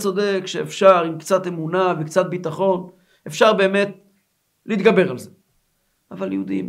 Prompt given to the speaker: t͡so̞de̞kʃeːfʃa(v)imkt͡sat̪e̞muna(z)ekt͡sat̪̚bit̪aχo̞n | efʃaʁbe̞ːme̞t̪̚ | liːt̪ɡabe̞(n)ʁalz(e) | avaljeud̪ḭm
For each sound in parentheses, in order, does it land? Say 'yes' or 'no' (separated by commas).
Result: no, no, no, yes